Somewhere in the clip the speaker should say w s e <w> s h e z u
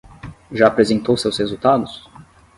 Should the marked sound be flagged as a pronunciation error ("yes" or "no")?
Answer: no